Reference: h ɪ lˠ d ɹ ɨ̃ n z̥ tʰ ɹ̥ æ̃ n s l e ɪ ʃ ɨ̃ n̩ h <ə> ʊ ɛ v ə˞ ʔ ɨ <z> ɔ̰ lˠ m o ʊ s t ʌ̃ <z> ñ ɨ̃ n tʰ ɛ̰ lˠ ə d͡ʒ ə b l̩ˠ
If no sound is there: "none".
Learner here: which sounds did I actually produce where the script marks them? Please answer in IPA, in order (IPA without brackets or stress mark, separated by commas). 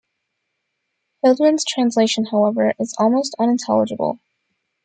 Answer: a, z, none